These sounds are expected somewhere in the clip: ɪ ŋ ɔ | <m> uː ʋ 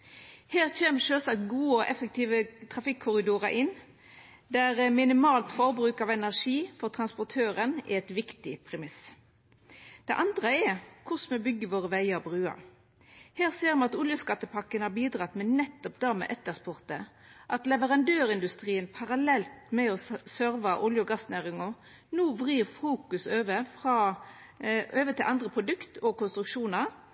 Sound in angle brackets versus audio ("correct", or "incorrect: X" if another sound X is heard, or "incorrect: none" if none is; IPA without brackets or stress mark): incorrect: n